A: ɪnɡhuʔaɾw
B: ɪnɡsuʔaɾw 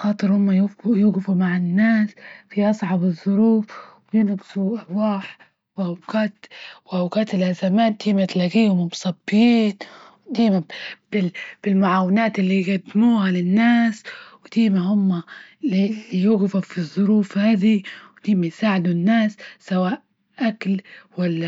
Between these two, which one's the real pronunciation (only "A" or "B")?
B